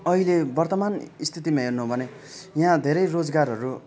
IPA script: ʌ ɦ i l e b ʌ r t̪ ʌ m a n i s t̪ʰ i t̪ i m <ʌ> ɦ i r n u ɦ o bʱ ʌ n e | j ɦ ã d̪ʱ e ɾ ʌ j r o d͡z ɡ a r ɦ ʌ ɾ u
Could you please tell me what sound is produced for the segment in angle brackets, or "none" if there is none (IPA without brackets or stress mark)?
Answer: a